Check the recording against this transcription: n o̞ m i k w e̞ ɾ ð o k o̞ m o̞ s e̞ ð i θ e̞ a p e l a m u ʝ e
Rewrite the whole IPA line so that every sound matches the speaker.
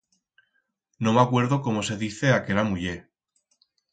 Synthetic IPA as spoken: n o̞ m a k w e̞ ɾ ð o k o̞ m o̞ s e̞ ð i θ e̞ a k e l a m u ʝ e